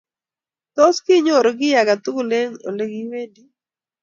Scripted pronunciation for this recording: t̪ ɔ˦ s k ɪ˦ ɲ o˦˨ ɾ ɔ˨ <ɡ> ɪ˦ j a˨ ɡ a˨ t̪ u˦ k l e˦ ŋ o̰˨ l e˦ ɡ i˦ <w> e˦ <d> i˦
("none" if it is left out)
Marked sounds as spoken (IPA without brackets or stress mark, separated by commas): ɡ, w, d